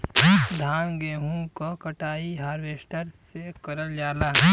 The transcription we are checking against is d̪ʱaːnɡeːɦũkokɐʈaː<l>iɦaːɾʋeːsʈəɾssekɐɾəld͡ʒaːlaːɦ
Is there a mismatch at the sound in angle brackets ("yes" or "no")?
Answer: yes